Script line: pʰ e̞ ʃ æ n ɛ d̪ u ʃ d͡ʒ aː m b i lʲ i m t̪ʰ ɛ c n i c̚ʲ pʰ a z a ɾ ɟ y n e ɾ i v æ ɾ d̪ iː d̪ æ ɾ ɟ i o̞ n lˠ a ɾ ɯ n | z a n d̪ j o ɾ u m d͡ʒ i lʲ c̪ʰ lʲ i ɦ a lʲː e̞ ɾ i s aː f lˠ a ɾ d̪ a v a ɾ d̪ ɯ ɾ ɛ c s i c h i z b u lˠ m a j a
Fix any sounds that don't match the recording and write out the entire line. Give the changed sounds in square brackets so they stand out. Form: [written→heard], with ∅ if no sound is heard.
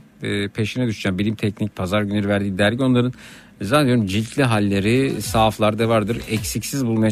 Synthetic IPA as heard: pʰ e̞ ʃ [æ→i] n ɛ d̪ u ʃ d͡ʒ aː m b i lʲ i m t̪ʰ ɛ c n i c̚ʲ pʰ a z a ɾ ɟ y n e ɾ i v æ ɾ d̪ iː d̪ æ ɾ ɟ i o̞ n lˠ a ɾ ɯ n | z a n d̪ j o ɾ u m d͡ʒ i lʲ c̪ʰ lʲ i ɦ a lʲː e̞ ɾ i s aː f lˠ a ɾ d̪ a v a ɾ d̪ ɯ ɾ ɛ c s i c [h→s] i z b u lˠ m a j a